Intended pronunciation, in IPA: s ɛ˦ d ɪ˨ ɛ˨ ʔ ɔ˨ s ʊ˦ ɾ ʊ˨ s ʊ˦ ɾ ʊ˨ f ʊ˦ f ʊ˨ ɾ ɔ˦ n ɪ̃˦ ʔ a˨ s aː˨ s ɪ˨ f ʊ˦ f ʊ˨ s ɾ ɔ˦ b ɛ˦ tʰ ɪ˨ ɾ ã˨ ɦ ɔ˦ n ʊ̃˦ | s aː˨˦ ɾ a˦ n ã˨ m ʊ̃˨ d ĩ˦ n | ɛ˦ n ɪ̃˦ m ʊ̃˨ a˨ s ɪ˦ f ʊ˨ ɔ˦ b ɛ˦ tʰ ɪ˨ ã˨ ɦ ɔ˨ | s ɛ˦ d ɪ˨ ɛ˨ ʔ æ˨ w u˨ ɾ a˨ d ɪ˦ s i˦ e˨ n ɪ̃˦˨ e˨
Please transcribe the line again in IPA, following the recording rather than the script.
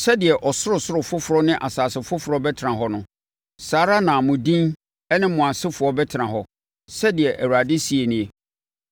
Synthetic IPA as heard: s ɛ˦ d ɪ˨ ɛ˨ ʔ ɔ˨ s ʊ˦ ɾ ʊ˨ s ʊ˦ ɾ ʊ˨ f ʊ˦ f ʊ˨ ɾ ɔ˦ n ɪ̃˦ ʔ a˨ s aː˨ s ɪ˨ f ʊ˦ f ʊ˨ ɾ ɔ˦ b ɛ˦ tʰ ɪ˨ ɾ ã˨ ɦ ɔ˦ n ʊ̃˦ | s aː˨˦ ɾ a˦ n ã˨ m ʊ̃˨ d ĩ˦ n | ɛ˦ n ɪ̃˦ m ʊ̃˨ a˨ s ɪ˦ f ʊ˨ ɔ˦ b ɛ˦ tʰ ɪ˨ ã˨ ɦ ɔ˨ | s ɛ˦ d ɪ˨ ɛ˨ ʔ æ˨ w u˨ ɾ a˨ d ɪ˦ s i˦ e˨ n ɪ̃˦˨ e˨

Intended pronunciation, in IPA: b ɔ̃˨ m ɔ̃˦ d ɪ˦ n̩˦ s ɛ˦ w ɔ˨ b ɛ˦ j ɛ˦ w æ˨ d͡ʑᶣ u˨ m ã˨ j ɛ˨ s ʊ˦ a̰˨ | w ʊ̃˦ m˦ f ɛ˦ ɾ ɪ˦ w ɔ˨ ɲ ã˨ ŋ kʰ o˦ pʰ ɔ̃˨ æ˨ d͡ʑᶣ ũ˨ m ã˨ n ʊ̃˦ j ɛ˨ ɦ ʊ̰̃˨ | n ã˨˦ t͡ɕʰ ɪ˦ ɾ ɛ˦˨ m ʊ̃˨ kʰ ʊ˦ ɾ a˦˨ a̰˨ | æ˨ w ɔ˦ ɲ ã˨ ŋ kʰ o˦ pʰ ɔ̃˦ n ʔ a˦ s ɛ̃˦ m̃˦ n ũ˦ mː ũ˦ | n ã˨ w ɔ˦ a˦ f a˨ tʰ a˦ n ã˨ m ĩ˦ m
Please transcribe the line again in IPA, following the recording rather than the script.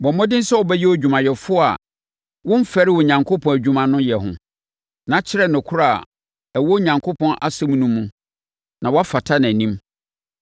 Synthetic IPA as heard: b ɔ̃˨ m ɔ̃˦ d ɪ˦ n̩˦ s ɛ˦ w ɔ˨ b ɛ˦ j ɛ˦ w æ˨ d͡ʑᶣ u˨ m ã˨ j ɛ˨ f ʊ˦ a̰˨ | w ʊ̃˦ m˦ f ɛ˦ ɾ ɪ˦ w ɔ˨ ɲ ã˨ ŋ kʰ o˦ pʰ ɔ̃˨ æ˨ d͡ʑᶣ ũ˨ m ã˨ n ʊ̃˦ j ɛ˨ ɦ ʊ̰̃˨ | n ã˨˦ t͡ɕʰ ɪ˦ ɾ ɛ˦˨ n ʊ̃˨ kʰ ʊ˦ ɾ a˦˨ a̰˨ | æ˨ w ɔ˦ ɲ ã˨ ŋ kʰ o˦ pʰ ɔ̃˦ n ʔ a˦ s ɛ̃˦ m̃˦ n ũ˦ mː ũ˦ | n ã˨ w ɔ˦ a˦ f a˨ tʰ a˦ n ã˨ n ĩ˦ m

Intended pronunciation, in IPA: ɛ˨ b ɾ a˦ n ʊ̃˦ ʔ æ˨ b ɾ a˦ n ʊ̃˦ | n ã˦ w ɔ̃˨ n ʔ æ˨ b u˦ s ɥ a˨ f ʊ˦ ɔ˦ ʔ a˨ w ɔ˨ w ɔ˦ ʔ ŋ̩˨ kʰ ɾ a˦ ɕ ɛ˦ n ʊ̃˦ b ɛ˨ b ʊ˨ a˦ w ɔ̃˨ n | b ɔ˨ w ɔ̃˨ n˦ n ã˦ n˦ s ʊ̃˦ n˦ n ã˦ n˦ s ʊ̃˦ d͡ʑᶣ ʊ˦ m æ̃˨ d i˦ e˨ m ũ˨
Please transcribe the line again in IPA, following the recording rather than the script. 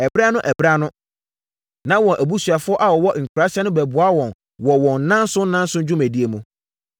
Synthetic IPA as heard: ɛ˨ b ɾ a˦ n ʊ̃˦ ʔ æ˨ b ɾ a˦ n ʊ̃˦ | n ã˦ w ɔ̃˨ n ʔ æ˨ b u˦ s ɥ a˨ f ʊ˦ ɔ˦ ʔ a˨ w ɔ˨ w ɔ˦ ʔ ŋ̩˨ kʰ ɾ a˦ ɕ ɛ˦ n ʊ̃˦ b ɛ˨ b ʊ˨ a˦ w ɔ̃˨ n | w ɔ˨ w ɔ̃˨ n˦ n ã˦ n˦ s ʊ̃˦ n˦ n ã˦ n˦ s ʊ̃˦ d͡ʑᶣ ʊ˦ m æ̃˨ d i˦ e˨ m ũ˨

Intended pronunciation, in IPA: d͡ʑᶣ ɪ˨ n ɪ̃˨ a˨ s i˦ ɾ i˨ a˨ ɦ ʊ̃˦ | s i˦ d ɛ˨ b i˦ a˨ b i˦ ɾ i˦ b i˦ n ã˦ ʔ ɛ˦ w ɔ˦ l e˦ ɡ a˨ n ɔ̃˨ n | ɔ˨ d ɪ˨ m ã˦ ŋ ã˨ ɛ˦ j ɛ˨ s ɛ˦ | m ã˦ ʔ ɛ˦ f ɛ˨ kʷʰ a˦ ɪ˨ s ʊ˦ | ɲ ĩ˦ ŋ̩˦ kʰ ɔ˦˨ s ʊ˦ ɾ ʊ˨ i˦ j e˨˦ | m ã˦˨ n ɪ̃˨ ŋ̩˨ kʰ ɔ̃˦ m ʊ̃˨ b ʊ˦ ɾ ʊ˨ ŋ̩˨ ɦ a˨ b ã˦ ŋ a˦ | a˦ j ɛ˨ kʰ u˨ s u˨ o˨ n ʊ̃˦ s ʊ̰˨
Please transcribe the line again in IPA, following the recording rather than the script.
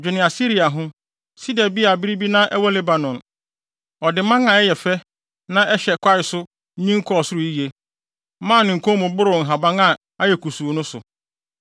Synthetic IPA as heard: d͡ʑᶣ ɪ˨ n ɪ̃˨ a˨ s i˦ ɾ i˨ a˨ ɦ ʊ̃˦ | s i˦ d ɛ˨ b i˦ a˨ b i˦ ɾ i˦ b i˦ n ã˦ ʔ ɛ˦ w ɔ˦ l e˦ b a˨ n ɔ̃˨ n | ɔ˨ d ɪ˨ m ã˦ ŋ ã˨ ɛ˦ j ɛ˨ f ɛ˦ | n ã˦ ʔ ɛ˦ ɕ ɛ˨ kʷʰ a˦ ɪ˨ s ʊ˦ | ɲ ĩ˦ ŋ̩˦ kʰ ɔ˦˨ s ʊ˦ ɾ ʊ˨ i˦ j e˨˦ | m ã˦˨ n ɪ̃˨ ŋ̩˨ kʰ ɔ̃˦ m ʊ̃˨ b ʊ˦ ɾ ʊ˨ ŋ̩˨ ɦ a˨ b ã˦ ŋ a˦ | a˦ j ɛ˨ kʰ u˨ s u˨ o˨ n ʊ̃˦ s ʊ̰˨

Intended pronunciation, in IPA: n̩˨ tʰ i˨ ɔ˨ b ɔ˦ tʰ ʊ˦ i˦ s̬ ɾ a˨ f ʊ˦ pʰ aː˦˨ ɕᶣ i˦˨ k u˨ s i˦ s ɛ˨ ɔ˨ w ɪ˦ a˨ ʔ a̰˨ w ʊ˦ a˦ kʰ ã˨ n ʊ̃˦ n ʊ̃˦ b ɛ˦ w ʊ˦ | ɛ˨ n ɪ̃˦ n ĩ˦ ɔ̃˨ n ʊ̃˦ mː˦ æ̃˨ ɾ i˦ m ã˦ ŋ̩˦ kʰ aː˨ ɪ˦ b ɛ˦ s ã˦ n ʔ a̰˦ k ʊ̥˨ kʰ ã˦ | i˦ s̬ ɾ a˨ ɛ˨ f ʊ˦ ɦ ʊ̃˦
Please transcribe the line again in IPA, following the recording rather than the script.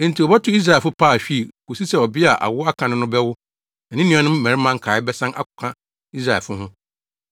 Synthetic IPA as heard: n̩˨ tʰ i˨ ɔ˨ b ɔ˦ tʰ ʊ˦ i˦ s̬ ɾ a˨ f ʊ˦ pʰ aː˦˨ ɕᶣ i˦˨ k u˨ s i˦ s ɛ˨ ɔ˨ b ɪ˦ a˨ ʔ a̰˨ w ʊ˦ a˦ kʰ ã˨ n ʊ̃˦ n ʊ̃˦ b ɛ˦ w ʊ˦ | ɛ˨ n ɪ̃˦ n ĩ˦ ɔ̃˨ n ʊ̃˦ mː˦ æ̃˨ ɾ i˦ m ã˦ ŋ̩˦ kʰ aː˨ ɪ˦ b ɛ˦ s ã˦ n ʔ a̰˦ k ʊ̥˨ kʰ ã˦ | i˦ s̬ ɾ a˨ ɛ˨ f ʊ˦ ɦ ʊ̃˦

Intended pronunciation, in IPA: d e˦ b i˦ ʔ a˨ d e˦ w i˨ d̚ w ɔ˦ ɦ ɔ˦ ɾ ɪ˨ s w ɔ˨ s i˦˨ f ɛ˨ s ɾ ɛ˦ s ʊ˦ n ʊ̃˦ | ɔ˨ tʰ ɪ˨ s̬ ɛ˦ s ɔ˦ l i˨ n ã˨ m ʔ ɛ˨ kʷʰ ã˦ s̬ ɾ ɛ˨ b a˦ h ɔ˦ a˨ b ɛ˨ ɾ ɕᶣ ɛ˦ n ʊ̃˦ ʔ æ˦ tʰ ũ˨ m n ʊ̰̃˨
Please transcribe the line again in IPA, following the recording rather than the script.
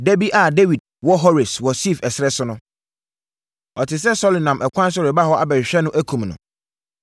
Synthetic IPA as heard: d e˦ b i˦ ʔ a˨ d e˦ w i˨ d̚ w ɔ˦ ɦ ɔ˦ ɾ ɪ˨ s w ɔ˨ s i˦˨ f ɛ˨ s ɾ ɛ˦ s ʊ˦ n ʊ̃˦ | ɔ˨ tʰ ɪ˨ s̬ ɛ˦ s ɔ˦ l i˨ n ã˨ m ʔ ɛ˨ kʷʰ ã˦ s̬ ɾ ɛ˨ b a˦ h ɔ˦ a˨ b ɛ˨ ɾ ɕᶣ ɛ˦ n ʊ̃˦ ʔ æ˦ kʰ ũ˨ m n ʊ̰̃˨

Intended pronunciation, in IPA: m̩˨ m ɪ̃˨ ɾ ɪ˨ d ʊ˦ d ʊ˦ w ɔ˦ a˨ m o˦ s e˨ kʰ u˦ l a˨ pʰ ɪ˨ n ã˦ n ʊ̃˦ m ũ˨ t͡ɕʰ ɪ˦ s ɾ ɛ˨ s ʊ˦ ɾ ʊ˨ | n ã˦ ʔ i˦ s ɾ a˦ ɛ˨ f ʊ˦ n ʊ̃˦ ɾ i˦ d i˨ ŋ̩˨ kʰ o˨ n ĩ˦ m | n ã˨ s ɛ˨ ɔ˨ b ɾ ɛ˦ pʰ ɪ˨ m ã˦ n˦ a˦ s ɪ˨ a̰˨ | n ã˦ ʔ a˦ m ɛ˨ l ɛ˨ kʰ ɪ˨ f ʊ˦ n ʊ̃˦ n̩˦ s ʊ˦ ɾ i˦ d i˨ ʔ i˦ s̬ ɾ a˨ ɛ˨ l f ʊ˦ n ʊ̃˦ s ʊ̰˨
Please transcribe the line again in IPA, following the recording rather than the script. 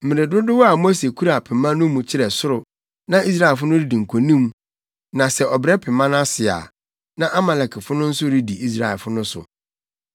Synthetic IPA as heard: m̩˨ m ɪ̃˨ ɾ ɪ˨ d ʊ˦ d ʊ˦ w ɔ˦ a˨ m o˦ s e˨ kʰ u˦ ɾ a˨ pʰ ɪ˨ m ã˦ n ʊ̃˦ m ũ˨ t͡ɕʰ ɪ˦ ɾ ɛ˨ s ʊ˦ ɾ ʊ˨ | n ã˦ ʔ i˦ s ɾ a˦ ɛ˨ f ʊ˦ n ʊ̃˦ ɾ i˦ d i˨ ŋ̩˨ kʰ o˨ n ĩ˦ m | n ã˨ s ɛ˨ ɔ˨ b ɾ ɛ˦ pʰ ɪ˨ m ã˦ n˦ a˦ s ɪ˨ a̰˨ | n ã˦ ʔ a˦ m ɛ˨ l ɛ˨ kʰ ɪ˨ f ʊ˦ n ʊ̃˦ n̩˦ s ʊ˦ ɾ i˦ d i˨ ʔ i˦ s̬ ɾ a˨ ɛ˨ l f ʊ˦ n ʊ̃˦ s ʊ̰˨

